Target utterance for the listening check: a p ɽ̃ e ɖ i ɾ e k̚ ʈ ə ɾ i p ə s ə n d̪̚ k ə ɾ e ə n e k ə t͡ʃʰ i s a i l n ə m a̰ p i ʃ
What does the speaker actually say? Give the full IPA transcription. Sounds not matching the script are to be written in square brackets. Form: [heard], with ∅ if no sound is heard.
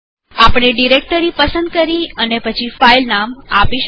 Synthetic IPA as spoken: a p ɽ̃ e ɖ i ɾ e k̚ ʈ ə ɾ i p ə s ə n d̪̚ k ə ɾ [i] ə n e [p] ə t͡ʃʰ i [f] a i l n [a] m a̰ p i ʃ